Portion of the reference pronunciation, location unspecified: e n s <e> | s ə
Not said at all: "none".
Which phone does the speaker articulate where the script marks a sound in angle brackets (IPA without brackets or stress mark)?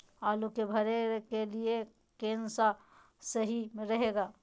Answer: a